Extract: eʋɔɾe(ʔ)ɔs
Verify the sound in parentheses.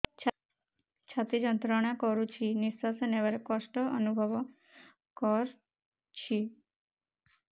incorrect: k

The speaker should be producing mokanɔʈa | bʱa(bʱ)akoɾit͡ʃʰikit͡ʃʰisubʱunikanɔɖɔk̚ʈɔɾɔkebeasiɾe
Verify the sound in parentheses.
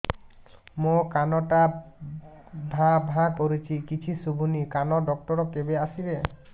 correct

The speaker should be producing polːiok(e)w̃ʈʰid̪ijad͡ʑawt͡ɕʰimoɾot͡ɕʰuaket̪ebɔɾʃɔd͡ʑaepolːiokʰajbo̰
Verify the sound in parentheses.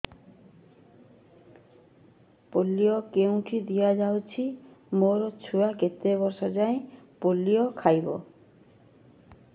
correct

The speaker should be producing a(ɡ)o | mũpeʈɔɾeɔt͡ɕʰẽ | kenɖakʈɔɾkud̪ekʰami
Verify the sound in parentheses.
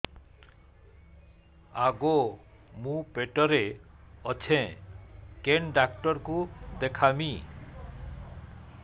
correct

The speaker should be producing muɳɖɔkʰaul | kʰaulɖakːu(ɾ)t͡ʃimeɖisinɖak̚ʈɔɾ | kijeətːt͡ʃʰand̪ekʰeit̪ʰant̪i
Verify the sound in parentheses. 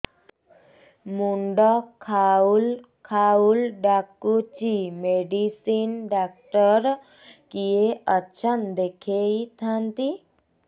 incorrect: none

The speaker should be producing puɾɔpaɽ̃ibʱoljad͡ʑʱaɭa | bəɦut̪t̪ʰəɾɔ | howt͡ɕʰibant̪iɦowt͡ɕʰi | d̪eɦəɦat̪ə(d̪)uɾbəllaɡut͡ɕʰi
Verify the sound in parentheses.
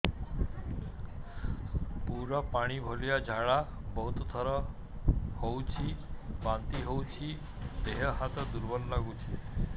correct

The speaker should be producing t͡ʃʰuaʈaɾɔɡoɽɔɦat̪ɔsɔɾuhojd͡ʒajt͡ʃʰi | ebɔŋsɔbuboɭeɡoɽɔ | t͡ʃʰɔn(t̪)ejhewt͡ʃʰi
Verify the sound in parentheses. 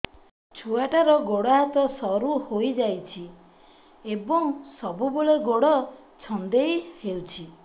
incorrect: d̪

